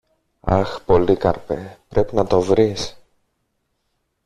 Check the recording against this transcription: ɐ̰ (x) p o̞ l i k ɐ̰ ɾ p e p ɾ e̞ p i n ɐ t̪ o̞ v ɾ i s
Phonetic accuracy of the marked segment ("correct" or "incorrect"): correct